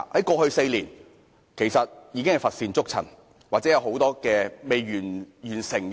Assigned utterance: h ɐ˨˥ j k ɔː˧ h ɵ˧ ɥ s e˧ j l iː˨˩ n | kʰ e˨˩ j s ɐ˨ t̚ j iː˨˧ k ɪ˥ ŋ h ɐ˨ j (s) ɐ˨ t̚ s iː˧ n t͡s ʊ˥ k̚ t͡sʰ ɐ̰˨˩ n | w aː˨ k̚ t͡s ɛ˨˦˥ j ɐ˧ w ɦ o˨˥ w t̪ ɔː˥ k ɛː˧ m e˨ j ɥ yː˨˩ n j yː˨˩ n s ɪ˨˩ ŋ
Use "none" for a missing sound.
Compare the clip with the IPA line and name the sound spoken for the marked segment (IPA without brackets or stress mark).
f